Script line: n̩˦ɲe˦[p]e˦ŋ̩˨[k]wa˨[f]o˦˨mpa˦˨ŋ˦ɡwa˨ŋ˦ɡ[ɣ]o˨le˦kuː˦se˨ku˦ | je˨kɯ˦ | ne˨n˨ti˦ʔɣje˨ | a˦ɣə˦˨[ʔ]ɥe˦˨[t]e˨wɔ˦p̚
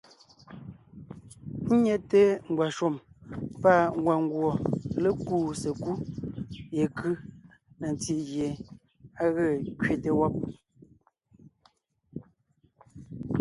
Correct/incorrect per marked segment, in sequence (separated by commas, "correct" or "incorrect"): incorrect, incorrect, incorrect, incorrect, incorrect, correct